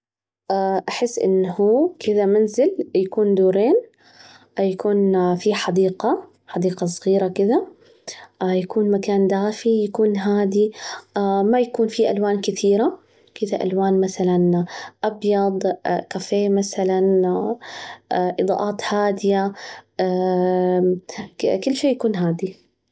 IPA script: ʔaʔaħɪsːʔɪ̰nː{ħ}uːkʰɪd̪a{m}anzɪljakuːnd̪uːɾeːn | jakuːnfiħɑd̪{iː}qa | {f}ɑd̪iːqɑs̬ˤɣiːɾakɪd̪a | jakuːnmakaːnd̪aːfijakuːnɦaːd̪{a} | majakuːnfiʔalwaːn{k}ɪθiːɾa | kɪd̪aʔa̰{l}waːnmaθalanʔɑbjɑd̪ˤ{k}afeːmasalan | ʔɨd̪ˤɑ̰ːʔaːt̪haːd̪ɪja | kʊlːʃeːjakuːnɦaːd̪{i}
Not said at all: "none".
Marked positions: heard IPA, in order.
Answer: h, m, iː, ħ, i, k, l, k, i

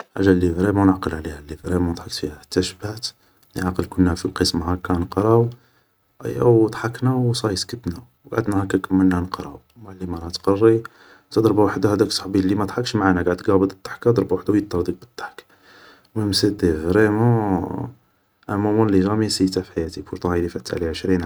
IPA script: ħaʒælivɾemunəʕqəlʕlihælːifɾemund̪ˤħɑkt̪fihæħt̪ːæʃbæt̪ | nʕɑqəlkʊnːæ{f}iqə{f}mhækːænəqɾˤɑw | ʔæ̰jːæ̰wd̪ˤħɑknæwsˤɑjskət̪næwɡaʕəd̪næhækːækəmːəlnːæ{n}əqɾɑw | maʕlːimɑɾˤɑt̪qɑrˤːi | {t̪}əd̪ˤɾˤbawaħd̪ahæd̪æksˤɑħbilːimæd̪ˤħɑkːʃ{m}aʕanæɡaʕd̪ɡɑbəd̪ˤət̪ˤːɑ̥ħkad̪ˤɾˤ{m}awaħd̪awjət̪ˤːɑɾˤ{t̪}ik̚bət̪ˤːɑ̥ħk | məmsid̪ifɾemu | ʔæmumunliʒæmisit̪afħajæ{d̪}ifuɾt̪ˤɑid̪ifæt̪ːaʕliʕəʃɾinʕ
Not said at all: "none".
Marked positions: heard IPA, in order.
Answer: f, s, n, t̪, m, b, d̪, t̪

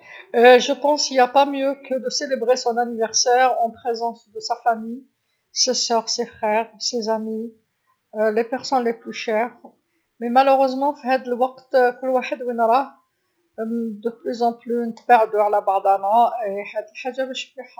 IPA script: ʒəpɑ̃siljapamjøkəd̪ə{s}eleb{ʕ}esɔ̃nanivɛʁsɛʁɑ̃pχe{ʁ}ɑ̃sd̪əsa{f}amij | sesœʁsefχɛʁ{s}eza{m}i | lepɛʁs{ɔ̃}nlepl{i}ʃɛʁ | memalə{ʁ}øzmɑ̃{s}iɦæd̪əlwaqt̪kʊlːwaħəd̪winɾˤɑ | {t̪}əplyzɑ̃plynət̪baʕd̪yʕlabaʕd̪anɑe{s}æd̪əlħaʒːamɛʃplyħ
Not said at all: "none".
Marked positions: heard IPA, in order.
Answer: s, ʁ, z, f, s, m, ɔ, y, ʁ, f, d̪, ħ

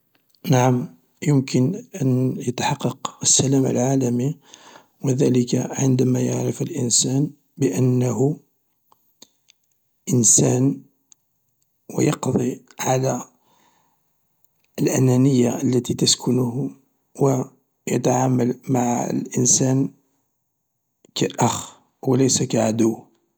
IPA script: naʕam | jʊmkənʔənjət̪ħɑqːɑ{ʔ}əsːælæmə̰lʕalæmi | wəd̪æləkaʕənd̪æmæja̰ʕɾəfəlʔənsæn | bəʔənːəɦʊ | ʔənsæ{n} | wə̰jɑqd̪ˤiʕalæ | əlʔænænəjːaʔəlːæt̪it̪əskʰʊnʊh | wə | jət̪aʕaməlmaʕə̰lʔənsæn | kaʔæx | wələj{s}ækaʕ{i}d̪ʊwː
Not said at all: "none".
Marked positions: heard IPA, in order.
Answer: q, n, s, a

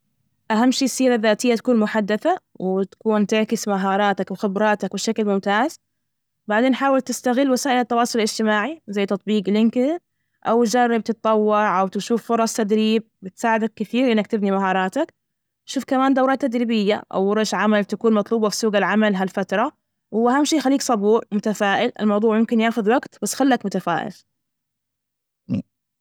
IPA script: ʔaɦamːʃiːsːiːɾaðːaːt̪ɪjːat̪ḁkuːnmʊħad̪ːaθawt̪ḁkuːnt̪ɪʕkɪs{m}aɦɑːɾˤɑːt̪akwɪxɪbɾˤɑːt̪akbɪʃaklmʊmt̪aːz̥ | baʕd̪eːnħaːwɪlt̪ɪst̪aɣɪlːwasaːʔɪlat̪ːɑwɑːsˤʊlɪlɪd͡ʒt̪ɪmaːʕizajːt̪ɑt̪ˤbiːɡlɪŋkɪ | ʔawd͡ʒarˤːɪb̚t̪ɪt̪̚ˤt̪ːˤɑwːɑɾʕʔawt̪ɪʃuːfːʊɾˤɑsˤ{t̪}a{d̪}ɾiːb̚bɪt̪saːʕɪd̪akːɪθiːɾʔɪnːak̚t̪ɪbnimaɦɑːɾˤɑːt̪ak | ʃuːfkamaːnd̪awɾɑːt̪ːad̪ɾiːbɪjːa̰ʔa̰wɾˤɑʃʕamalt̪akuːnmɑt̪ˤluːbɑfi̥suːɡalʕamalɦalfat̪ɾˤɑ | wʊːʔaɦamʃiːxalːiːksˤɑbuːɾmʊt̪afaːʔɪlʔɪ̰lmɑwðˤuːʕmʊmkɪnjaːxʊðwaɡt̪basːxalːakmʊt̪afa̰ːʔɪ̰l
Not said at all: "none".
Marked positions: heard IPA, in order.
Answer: m, t̪, d̪

